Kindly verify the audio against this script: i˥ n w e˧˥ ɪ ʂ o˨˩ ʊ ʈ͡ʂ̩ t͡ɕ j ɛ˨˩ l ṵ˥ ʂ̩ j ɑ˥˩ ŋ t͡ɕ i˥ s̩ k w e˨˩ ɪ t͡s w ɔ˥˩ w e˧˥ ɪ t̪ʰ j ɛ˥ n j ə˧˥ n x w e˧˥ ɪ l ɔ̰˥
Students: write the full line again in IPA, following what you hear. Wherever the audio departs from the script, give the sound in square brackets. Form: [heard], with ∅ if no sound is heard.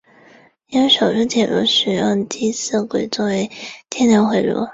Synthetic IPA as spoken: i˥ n w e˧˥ ɪ ʂ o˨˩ ʊ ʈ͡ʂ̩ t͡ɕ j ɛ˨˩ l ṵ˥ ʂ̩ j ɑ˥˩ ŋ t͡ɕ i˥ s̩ k w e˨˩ ɪ t͡s w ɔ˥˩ w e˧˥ ɪ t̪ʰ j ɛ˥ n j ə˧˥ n x w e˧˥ ɪ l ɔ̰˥